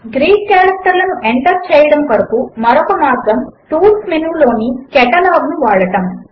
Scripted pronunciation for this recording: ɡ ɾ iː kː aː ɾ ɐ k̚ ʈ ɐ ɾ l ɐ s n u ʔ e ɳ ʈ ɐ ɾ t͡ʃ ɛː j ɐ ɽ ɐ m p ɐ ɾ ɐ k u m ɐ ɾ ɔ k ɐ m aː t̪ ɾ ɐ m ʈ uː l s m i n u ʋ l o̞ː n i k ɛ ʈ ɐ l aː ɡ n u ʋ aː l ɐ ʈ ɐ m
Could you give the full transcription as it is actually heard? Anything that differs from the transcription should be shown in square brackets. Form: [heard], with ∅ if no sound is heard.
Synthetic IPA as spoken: ɡ ɾ iː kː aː ɾ ɐ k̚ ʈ ɐ ɾ l ɐ [∅] n u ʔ e ɳ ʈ ɐ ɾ t͡ʃ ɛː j ɐ ɽ ɐ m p ɐ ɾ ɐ k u m ɐ ɾ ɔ k ɐ m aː t̪ ɾ ɐ m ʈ uː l s m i n u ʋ l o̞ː n i k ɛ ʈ ɐ l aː ɡ n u ʋ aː [ɭ] ɐ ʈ ɐ m